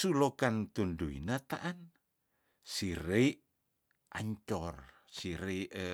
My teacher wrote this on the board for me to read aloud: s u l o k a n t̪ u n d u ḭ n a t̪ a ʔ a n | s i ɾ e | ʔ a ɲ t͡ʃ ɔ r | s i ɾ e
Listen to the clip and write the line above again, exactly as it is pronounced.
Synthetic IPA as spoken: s u l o k a n t̪ u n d u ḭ n a t̪ a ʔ a n | s i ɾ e | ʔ a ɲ t͡ʃ ɔ r | s i ɾ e